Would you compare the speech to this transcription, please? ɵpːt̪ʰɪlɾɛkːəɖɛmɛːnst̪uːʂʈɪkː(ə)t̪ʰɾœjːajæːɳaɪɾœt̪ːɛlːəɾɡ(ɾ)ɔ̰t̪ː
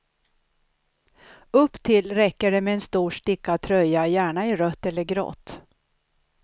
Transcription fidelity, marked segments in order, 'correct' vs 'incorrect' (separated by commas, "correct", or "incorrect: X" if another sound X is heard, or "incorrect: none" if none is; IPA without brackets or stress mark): incorrect: a, correct